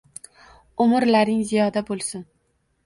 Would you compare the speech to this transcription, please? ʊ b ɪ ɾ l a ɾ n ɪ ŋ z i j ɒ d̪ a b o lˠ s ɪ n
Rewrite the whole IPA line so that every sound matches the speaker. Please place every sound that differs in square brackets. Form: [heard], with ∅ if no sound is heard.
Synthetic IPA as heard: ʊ [m] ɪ ɾ l a ɾ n ɪ ŋ z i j ɒ d̪ a b o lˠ s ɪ n